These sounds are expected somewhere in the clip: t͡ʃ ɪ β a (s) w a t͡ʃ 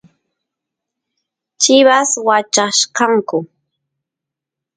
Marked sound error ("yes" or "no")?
no